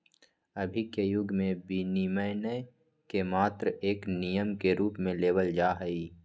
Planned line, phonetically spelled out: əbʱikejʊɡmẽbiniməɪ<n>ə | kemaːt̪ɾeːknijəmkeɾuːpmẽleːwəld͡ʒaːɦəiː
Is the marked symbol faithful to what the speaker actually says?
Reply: yes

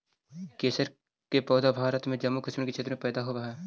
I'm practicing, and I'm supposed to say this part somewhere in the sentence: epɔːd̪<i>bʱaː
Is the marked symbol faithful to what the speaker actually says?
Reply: no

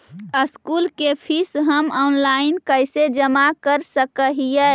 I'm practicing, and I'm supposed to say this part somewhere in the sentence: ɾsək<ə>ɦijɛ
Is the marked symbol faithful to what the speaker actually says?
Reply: yes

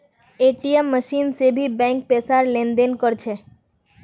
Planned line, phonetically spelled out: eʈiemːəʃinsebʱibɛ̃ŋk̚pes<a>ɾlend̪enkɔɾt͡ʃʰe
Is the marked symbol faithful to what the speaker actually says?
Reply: yes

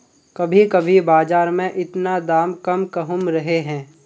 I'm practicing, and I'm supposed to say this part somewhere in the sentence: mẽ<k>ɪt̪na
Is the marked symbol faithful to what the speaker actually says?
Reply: no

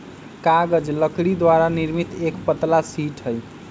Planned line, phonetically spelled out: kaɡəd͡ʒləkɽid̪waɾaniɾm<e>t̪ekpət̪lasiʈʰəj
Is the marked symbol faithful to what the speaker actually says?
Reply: no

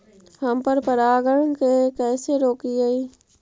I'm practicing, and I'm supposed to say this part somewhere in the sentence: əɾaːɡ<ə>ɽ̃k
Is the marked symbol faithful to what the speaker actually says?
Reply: yes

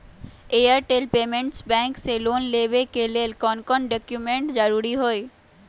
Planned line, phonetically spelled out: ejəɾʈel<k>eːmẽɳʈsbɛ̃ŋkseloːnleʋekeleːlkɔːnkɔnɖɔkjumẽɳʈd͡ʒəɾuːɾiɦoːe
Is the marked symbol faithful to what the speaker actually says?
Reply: no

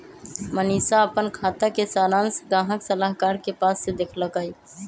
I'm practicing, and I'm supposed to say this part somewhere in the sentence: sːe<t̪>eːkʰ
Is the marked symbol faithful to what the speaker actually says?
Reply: no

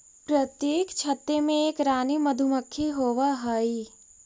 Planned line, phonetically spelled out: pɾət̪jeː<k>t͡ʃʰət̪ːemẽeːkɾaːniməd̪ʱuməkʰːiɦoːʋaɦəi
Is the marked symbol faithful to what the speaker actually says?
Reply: yes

